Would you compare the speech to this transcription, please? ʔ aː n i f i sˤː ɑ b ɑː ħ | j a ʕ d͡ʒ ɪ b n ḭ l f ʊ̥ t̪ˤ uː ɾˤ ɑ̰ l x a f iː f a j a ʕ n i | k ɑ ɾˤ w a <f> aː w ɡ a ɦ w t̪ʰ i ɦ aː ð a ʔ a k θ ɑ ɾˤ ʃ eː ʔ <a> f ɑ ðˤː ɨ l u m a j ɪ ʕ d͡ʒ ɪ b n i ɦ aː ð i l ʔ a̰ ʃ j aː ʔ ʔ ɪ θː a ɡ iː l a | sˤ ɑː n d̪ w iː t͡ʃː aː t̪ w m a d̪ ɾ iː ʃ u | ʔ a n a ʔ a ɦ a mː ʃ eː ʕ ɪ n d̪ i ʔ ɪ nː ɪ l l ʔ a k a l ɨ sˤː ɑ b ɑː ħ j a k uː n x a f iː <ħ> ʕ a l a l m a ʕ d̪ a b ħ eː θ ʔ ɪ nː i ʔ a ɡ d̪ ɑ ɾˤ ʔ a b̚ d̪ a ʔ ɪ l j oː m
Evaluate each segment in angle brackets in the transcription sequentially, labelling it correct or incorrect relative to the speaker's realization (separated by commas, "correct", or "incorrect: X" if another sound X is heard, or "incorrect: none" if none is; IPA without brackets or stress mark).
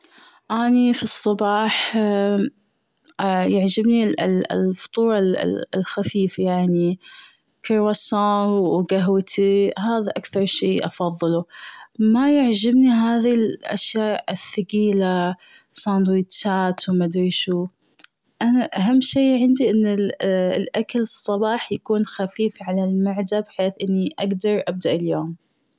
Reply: incorrect: s, incorrect: ɑ, incorrect: f